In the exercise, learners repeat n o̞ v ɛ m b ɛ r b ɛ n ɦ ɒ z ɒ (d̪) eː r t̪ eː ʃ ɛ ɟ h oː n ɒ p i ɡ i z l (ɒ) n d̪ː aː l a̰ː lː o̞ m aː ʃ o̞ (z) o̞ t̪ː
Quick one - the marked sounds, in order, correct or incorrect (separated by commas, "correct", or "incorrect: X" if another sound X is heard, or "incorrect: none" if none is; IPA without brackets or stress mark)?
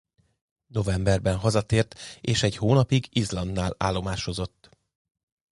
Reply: incorrect: t̪, correct, correct